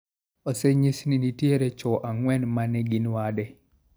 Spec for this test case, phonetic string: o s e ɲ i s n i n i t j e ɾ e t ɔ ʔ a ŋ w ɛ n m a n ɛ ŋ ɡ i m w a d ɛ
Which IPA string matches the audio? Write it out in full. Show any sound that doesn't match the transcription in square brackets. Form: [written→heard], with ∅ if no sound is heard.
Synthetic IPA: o s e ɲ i s n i n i t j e ɾ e [t→t͡ʃ] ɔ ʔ a ŋ w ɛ n m a n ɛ [ŋ→∅] ɡ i [m→n] w a d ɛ